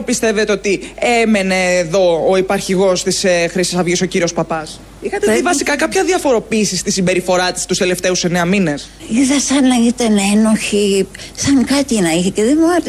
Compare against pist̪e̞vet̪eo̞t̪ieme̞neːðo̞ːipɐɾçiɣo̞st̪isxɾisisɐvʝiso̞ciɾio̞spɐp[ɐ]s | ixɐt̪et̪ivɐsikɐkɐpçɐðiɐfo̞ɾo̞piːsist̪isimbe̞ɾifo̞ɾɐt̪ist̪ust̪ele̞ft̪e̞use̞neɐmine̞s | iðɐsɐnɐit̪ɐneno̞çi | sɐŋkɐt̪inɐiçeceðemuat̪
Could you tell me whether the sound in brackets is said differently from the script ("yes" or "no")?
no